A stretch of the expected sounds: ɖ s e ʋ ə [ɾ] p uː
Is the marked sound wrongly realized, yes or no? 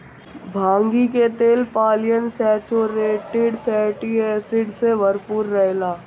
no